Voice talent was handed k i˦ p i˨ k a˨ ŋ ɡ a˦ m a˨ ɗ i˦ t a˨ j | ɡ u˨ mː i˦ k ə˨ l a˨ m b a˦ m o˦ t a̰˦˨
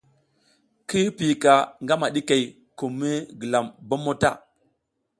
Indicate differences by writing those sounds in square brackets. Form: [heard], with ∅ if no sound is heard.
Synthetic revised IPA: k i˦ p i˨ k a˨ ŋ ɡ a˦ m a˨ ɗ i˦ [k] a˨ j | [k] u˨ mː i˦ [ɡ] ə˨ l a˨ m b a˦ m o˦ t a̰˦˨